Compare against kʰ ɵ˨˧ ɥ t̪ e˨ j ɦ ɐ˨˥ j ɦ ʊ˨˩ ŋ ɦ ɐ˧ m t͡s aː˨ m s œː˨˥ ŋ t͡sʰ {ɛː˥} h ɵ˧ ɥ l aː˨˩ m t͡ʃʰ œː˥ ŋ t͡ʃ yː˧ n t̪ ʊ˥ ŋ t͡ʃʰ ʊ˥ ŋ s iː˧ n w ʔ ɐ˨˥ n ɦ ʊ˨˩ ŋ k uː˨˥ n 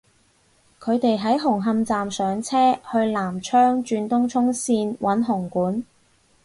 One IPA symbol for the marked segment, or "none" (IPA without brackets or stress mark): ɛː˥